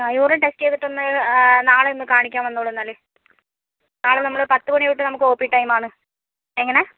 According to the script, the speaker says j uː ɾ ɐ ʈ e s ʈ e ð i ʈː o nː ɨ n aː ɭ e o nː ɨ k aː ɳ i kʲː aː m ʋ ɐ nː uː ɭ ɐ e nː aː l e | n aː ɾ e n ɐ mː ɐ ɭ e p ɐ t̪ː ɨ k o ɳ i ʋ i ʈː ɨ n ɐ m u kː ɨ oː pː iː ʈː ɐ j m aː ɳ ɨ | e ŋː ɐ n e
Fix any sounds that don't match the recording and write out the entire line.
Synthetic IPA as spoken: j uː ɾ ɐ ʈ e s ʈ e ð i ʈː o nː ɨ n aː ɭ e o nː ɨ k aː ɳ i kʲː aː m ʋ ɐ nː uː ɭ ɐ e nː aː l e | n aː ɭ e n ɐ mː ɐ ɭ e p ɐ t̪ː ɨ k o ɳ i ʋ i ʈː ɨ n ɐ m u kː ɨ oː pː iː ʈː ɐ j m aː ɳ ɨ | e ŋː ɐ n e